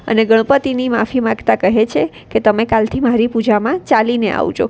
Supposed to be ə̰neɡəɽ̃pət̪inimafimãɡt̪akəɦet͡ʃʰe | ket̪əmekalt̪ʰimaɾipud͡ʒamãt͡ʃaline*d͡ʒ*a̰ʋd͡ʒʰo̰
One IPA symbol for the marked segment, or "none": none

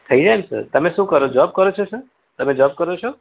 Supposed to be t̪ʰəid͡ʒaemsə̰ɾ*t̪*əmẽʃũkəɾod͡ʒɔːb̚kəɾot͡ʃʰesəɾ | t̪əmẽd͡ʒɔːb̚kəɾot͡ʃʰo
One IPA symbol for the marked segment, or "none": t̪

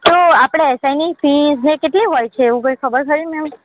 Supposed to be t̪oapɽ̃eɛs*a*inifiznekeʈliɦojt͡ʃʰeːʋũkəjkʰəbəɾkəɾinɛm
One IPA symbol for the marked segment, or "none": a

